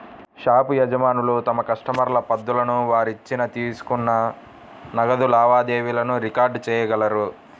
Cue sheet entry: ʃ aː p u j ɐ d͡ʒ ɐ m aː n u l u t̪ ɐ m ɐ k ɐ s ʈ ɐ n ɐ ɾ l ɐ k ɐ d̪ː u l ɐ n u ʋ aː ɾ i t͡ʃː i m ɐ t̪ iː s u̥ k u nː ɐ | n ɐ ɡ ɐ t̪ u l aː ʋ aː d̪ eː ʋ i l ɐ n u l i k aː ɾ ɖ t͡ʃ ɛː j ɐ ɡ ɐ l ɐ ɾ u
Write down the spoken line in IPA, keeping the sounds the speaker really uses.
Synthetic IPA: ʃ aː p u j ɐ d͡ʒ ɐ m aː n u l u t̪ ɐ m ɐ k ɐ ʂ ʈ ɐ m ɐ ɾ l ɐ p ɐ d̪ː u l ɐ n u ʋ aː ɾ i t͡ʃː i n ɐ t̪ iː s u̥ k u nː ɐ | n ɐ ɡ ɐ d̪ u l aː ʋ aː d̪ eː ʋ i l ɐ n u ɾ i k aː ɾ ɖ t͡ʃ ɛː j ɐ ɡ ɐ l ɐ ɾ u

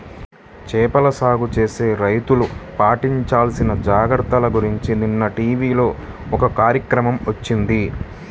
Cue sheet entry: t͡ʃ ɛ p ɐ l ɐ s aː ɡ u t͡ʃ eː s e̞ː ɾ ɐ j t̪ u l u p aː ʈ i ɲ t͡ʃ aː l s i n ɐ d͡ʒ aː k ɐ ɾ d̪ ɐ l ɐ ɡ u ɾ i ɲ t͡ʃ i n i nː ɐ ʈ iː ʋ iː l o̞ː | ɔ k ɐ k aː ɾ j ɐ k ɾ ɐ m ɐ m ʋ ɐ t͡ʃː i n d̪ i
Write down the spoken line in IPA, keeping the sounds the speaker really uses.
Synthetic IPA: t͡ʃ ɛː p ɐ l ɐ s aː ɡ u t͡ʃ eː s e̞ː ɾ ɐ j t̪ u l u p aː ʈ i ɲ t͡ʃ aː l s i n ɐ d͡ʒ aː ɡ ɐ ɾ t̪ ɐ l ɐ ɡ u ɾ i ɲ t͡ʃ i n i nː ɐ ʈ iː ʋ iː l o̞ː | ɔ k ɐ k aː ɾ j ɐ k ɾ ɐ m ɐ m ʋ ɐ t͡ʃː i n d̪ i

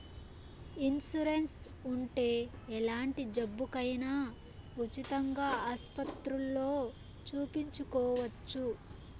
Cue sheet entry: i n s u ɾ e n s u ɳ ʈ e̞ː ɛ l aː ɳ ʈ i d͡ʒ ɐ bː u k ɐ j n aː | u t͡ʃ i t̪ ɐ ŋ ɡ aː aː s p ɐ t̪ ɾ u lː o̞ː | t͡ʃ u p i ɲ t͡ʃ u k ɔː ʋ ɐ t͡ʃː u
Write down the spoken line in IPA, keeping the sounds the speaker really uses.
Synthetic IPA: i n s u ɾ e n s u ɳ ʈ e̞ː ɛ l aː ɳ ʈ i d͡ʒ ɐ bː u k ɐ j n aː | u t͡ʃ i t̪ ɐ ŋ ɡ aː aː s p ɐ t̪ ɾ u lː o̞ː | t͡ʃ uː p i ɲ t͡ʃ u k ɔː ʋ ɐ t͡ʃː u

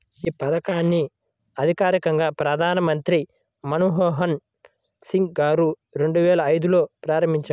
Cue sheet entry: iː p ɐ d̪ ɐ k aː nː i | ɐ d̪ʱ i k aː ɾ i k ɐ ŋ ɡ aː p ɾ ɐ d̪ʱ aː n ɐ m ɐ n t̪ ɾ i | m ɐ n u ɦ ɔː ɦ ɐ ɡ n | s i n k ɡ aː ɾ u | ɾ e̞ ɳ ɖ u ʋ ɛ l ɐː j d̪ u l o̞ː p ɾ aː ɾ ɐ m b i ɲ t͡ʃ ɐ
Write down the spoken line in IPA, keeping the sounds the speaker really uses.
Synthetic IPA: iː p ɐ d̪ ɐ k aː nː i | ɐ d̪ʱ i k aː ɾ i k ɐ ŋ ɡ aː p ɾ ɐ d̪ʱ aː n ɐ m ɐ n t̪ ɾ i | m ɐ n u ɦ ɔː ɦ ɐ n | s i ŋ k ɡ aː ɾ u | ɾ e̞ ɳ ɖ u ʋ ɛː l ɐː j d̪ u l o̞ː p ɾ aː ɾ ɐ m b i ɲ t͡ʃ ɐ

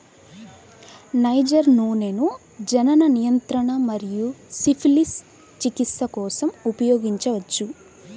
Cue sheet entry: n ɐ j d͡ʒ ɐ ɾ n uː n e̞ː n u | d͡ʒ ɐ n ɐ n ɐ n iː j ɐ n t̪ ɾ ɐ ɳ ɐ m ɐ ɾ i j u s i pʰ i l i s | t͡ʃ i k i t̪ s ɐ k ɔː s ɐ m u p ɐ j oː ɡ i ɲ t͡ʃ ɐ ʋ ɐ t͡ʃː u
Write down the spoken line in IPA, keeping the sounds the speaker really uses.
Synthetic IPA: n ɐ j d͡ʒ ɐ ɾ n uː n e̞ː n u | d͡ʒ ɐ n ɐ n ɐ n i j ɐ n t̪ ɾ ɐ ɳ ɐ m ɐ ɾ i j u s i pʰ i l i s | t͡ʃ i k i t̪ s ɐ k ɔː s ɐ m u p ɐ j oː ɡ i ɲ t͡ʃ ɐ ʋ ɐ t͡ʃː u

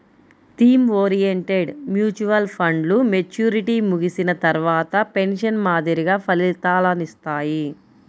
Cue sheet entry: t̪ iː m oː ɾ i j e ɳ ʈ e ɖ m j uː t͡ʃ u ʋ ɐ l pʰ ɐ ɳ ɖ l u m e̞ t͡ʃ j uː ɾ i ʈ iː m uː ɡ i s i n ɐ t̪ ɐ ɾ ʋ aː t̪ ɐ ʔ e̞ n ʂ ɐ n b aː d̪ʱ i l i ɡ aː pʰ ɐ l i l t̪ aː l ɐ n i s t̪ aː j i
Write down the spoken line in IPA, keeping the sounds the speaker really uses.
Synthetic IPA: t̪ iː m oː ɾ i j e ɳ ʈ e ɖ m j uː t͡ʃ u ʋ ɐ l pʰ ɐ ɳ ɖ l u m e̞ t͡ʃ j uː ɾ i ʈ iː m u ɡ i s i n ɐ t̪ ɐ ɾ ʋ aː t̪ ɐ p e̞ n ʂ ɐ n m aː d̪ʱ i ɾ i ɡ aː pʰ ɐ l i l t̪ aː l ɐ n i s t̪ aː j i

